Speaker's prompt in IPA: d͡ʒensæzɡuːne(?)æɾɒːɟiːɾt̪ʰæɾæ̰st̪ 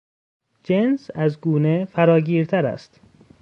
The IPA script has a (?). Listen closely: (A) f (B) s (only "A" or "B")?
A